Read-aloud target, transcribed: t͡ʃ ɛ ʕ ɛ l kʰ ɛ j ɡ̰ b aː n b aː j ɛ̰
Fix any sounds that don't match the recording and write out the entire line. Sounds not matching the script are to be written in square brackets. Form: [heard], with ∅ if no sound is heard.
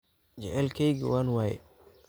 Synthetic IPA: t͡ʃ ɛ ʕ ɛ l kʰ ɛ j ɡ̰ [w] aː n [w] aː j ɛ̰